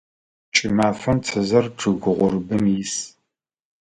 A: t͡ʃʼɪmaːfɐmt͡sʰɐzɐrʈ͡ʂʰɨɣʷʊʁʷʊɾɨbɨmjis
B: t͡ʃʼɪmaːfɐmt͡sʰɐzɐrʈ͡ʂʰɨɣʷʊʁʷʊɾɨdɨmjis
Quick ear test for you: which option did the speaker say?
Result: A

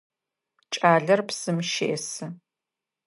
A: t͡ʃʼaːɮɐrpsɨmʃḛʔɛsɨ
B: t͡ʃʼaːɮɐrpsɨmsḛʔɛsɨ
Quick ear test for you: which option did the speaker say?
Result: A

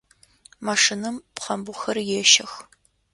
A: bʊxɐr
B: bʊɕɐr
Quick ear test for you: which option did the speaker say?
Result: A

